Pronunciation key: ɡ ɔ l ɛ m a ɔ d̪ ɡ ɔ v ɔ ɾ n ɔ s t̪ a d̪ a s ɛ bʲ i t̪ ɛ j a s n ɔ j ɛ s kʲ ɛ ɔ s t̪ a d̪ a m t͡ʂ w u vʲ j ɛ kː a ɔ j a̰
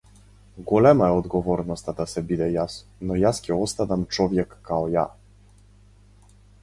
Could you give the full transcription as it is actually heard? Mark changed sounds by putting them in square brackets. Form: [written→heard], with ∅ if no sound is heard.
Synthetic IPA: ɡ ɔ l ɛ m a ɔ d̪ ɡ ɔ v ɔ ɾ n ɔ s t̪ a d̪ a s ɛ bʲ i [t̪→d̪] ɛ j a s n ɔ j [ɛ→a] s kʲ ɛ ɔ s t̪ a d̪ a m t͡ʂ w [u→ɔ] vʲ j ɛ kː a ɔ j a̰